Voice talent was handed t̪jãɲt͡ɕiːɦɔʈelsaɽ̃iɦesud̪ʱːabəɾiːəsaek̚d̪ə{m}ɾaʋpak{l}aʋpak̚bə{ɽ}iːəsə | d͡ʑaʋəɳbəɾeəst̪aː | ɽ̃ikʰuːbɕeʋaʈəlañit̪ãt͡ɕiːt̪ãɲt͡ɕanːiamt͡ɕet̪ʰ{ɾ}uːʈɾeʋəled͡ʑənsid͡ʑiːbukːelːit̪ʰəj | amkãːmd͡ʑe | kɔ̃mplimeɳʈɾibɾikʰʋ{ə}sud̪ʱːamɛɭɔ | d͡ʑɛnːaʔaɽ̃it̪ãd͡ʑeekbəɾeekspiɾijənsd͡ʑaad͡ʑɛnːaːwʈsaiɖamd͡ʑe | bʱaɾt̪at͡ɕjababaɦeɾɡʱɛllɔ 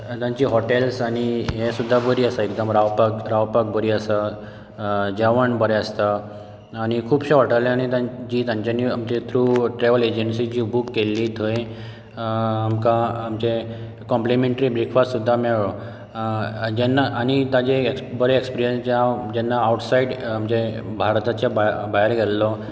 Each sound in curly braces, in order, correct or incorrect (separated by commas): correct, incorrect, incorrect, correct, incorrect